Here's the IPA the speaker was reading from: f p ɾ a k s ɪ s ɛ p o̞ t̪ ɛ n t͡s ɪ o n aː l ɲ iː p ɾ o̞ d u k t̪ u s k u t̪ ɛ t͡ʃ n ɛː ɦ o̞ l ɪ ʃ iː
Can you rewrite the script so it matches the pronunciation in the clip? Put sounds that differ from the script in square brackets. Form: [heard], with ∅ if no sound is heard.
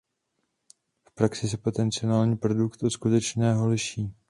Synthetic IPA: f p ɾ a k s ɪ s ɛ p o̞ t̪ ɛ n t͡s ɪ o n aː l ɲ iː p ɾ o̞ d u k t̪ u s k u t̪ ɛ t͡ʃ n ɛː ɦ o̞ l ɪ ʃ iː